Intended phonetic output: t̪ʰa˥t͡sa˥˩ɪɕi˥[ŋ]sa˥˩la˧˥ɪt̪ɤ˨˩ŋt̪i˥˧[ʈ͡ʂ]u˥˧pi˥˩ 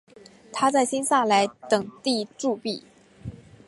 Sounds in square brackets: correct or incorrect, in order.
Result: incorrect, correct

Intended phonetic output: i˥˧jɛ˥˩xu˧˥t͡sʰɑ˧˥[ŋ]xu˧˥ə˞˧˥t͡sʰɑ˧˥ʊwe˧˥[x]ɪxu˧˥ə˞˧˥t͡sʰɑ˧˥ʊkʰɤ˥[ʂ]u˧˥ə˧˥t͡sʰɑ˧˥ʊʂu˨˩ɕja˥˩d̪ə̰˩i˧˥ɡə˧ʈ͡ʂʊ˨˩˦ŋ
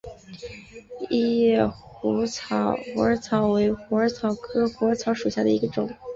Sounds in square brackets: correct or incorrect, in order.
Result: incorrect, incorrect, incorrect

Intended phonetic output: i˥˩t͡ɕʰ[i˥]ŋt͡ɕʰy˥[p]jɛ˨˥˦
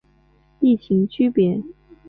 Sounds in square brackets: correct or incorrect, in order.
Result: incorrect, correct

